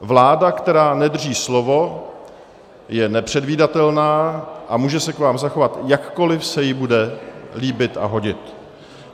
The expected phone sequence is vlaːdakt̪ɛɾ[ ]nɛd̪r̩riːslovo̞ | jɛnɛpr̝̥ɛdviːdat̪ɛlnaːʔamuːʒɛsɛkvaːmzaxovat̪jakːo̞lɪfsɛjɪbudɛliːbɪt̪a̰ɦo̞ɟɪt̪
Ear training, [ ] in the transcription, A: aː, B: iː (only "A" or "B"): A